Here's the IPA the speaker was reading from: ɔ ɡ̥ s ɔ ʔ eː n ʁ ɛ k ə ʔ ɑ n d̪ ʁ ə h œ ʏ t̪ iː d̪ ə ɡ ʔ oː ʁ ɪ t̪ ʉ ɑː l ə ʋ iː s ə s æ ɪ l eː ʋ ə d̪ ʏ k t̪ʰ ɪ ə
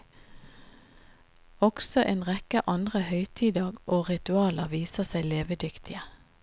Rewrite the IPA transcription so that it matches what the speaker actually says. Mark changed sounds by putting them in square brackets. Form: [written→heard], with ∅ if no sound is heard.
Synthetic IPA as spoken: ɔ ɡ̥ s ɔ ʔ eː n ʁ ɛ k ə ʔ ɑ n d̪ ʁ ə h œ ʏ [t̪→t̪ʰ] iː d̪ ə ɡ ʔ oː ʁ ɪ t̪ ʉ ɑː l ə ʋ iː s ə s æ ɪ l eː ʋ ə d̪ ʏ k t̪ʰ ɪ ə